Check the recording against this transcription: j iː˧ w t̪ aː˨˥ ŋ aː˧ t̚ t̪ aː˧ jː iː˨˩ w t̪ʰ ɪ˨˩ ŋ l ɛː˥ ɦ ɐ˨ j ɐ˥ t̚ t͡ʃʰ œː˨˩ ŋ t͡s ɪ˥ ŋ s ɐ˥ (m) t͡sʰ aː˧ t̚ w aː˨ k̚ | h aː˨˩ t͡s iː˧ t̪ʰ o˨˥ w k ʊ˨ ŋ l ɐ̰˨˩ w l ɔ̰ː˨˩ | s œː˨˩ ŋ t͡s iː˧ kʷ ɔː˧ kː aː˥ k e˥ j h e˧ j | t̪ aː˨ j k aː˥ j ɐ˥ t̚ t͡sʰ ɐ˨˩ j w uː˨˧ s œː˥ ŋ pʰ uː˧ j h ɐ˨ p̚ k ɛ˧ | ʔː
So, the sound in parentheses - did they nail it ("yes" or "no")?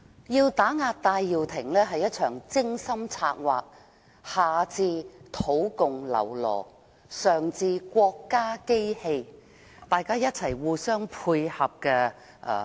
yes